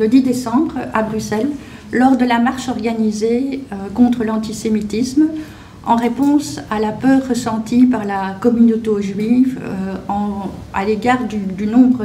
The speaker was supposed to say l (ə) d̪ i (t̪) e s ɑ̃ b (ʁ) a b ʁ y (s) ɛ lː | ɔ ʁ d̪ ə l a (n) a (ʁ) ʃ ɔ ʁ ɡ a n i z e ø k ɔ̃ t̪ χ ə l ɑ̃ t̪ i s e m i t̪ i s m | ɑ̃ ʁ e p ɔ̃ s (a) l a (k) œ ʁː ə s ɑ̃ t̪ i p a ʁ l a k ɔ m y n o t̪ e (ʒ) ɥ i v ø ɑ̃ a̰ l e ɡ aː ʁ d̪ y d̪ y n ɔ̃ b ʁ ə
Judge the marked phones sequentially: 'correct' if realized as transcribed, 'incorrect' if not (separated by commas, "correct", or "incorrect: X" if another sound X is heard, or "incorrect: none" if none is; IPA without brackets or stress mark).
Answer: correct, incorrect: d̪, correct, correct, incorrect: m, correct, correct, incorrect: p, correct